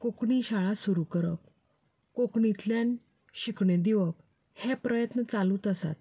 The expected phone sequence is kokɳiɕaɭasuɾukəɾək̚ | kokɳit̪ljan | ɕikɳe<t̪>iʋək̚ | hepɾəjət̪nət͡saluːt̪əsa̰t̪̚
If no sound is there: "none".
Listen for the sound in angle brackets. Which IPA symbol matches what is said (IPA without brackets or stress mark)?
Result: d̪